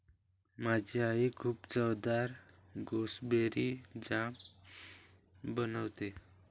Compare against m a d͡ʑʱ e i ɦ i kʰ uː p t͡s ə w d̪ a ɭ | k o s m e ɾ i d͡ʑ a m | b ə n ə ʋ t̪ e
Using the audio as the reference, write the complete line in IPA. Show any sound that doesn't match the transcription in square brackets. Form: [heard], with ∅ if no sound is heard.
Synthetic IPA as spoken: m a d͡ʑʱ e [a] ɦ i kʰ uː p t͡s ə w d̪ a [ɾ] | [ɡ] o s [b] e ɾ i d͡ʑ a m | b ə n ə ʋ t̪ e